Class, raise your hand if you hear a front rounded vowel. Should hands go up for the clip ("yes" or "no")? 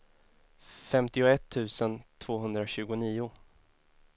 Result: no